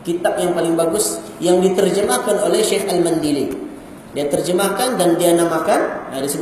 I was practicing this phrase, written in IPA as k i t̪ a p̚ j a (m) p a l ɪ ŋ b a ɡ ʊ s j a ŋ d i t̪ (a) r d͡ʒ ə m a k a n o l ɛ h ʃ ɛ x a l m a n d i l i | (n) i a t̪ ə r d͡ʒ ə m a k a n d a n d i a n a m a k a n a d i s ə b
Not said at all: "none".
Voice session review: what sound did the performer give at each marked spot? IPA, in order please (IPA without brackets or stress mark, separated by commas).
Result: ŋ, ə, d